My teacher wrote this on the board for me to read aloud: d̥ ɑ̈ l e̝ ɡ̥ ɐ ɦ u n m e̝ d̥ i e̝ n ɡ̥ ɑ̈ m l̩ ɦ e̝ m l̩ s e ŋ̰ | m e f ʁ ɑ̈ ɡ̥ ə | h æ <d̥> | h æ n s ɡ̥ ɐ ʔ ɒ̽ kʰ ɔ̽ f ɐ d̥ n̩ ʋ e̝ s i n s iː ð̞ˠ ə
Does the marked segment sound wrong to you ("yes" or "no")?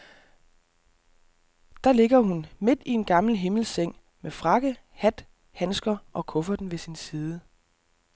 no